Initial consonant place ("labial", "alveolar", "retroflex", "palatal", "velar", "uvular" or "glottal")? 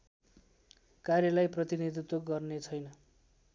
velar